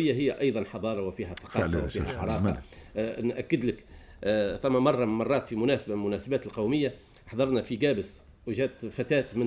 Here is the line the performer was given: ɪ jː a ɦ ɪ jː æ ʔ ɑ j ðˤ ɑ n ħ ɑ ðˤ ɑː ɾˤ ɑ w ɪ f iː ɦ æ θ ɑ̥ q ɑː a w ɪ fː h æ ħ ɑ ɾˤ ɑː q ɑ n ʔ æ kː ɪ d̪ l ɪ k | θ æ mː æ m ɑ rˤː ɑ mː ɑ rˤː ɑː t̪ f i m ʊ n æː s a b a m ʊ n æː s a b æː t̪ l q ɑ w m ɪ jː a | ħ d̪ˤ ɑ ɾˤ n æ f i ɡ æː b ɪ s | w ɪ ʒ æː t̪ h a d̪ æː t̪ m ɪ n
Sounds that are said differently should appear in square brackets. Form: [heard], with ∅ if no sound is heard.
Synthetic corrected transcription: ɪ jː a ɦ ɪ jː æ ʔ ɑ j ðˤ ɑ n ħ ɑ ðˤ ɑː ɾˤ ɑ w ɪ f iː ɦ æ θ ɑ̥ q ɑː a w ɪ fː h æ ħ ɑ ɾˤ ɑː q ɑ n ʔ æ kː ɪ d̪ l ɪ k | θ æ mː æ m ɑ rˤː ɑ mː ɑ rˤː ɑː t̪ f i m ʊ n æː s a b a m ʊ n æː s a b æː t̪ l q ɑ w m ɪ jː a | ħ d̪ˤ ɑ ɾˤ n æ f i ɡ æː b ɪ s | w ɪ ʒ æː t̪ [f] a [t̪] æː t̪ m ɪ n